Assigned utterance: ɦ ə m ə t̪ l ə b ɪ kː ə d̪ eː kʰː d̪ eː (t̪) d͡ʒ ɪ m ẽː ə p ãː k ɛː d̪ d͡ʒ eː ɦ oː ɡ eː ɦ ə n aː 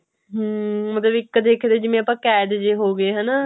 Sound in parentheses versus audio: incorrect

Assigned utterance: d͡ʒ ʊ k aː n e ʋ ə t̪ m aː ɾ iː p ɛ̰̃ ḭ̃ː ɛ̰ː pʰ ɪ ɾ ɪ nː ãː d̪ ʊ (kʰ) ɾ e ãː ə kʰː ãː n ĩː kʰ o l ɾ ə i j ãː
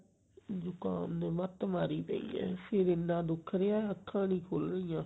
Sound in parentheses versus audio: correct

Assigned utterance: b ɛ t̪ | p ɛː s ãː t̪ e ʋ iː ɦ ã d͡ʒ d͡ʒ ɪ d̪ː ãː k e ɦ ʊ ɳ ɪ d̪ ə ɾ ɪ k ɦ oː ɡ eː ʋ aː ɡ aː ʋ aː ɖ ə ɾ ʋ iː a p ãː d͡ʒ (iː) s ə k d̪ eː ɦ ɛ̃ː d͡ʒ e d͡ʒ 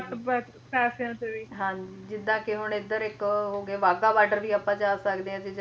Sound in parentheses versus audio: incorrect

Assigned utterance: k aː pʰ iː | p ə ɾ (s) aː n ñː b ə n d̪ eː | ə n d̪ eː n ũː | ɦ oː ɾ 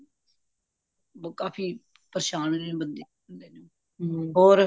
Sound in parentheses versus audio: incorrect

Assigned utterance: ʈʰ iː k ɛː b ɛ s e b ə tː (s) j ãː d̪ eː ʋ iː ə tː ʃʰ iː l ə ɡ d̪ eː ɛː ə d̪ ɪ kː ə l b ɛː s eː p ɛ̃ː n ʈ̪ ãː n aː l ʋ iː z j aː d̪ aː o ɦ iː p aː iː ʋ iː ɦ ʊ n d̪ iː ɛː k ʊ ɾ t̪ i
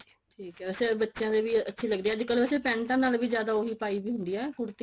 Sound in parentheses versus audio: incorrect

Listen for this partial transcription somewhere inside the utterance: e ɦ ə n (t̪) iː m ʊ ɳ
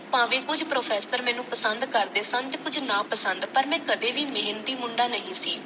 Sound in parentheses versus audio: correct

